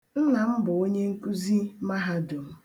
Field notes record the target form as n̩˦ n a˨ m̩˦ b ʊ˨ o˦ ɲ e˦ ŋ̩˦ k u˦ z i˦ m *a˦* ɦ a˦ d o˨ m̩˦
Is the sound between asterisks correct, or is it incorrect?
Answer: correct